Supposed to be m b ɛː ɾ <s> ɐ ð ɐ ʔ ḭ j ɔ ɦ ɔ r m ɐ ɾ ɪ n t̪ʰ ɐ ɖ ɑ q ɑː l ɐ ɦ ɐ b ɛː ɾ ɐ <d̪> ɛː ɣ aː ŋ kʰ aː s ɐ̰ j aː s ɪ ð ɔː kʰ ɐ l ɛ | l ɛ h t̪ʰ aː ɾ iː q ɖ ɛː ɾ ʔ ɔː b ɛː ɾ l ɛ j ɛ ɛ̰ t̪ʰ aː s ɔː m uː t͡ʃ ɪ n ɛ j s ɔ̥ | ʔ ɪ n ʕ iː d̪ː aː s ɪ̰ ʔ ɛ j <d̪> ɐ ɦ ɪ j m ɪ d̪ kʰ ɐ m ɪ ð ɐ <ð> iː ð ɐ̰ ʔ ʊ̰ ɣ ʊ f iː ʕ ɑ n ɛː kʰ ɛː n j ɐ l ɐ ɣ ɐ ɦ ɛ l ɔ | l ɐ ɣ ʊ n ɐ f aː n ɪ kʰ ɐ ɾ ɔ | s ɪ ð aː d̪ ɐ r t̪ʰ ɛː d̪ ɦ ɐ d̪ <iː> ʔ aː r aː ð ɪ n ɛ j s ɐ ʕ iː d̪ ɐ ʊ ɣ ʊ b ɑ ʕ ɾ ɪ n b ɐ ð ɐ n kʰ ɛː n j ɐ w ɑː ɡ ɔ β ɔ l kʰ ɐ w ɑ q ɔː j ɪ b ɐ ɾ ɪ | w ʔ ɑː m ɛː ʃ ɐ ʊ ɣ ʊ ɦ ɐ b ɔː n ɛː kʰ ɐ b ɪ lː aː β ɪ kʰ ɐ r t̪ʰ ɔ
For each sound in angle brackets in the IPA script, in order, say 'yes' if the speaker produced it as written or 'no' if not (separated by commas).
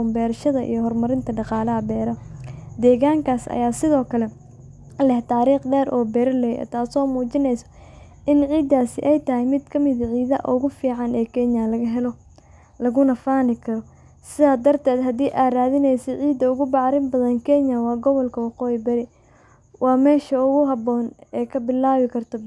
no, yes, no, no, yes